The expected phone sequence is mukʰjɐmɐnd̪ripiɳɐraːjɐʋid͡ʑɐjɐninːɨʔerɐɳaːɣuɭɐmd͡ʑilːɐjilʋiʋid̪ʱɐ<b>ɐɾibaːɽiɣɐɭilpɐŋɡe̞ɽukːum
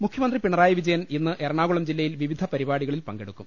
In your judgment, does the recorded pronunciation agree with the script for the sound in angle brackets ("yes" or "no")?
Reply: no